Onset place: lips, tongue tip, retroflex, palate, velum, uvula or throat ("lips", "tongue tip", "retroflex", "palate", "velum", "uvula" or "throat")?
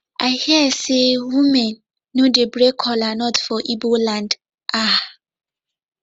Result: throat